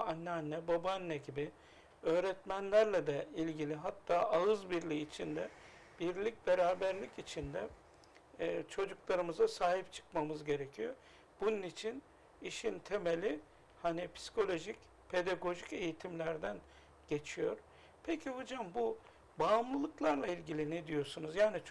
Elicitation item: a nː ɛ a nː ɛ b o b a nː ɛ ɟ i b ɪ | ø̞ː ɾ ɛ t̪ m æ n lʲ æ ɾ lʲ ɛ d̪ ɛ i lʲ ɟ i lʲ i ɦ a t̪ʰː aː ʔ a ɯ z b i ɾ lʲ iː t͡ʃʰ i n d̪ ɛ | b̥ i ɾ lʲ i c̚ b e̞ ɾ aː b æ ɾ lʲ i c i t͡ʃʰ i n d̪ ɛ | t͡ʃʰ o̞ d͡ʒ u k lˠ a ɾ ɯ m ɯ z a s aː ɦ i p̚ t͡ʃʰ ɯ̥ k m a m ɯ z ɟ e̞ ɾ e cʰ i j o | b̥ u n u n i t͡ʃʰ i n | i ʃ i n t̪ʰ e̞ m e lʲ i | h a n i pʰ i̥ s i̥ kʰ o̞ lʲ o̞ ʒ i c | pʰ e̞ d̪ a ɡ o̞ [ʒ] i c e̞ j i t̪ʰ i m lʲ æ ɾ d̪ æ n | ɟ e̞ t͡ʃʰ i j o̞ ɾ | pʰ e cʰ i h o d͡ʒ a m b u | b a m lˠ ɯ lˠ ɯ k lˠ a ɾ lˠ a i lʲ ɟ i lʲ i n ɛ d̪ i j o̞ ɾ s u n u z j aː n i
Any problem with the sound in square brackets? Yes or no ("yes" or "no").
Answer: no